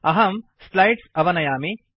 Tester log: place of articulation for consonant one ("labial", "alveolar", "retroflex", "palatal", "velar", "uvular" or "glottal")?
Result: glottal